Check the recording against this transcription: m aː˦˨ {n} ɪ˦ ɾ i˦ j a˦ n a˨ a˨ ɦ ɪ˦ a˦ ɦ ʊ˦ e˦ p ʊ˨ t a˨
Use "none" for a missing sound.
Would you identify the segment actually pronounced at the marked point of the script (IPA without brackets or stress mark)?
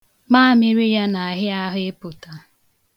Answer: m